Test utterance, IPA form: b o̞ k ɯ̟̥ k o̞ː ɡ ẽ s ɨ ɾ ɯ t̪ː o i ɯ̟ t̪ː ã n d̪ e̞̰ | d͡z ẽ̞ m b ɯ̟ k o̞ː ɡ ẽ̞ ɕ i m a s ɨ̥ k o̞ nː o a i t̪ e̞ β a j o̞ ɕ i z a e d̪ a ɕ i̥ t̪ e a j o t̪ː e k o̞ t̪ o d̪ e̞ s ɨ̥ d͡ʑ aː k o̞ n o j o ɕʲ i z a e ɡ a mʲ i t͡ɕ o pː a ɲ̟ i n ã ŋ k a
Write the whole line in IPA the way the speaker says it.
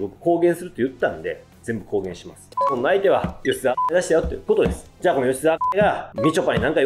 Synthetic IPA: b o̞ k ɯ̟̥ k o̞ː ɡ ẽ s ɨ ɾ ɯ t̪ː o j ɯ̟ t̪ː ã n d̪ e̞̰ | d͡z ẽ̞ m b ɯ̟ k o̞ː ɡ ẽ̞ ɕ i m a s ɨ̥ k o̞ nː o a i t̪ e̞ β a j o̞ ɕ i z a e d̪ a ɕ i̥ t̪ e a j o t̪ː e k o̞ t̪ o d̪ e̞ s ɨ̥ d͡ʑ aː k o̞ n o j o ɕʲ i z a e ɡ a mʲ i t͡ɕ o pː a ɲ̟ i n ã ŋ k a